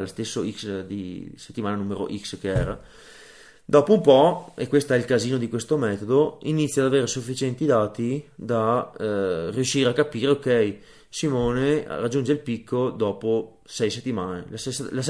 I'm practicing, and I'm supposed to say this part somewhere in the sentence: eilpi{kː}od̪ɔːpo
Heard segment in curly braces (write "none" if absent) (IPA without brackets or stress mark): kː